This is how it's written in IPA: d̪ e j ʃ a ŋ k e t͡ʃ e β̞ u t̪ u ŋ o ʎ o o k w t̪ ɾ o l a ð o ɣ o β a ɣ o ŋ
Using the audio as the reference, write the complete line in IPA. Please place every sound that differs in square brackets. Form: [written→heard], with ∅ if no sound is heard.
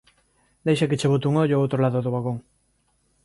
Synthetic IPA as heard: d̪ e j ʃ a [ŋ→∅] k e t͡ʃ e β̞ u t̪ u ŋ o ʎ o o [k→∅] w t̪ ɾ o l a ð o [ɣ→ð] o β a ɣ o ŋ